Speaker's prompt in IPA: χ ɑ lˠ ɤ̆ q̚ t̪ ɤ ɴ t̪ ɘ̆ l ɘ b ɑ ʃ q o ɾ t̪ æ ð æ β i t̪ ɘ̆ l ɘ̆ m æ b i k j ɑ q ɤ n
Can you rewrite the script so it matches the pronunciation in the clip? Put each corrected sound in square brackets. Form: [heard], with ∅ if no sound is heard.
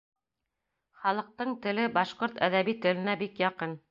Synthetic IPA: χ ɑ lˠ ɤ̆ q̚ t̪ ɤ ɴ t̪ ɘ̆ l ɘ b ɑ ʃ q o ɾ t̪ æ ð æ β i t̪ ɘ̆ l ɘ̆ [n] æ b i k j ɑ q ɤ n